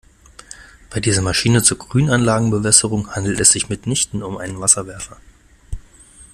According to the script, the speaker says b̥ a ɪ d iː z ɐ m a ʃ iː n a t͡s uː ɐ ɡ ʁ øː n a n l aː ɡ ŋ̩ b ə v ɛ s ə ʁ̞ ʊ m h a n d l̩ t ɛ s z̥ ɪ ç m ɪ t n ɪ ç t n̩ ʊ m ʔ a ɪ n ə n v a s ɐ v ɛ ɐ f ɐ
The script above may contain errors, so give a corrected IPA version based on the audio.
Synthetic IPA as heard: b̥ a ɪ d iː z ɐ m a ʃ iː n ə t͡s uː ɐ ɡ ʁ yː n a n l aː ɡ ŋ̩ b ə v ɛ s ə ʁ̞ ʊ ŋ h a n d l̩ t ɛ s z̥ ɪ ç m ɪ t n ɪ ç t n̩ ʊ m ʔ a ɪ n ə n v a s ɐ v ɛ ɐ f ɐ